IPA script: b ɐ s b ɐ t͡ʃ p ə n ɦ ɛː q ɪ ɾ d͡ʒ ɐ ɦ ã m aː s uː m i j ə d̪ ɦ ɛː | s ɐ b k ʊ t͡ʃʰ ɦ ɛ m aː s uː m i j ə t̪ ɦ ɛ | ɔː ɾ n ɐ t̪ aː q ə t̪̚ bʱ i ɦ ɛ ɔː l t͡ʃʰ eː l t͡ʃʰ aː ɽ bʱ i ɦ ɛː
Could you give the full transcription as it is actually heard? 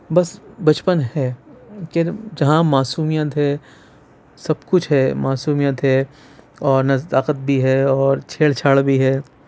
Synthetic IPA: b ɐ s b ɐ t͡ʃ p ə n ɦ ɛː k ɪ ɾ d͡ʒ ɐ ɦ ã m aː s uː m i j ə t̪ ɦ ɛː | s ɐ b k ʊ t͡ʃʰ ɦ ɛ m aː s uː m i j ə t̪ ɦ ɛ | ɔː ɾ n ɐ t̪ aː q ə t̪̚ bʱ i ɦ ɛ ɔː ɾ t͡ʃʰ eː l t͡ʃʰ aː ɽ bʱ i ɦ ɛː